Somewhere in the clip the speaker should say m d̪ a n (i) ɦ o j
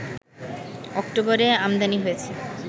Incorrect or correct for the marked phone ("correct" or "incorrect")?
correct